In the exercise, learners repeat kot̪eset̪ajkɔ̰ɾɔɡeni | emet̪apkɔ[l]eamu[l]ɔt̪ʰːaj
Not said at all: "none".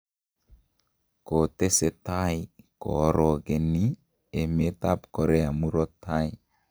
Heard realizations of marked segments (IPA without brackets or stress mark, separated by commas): ɾ, ɾ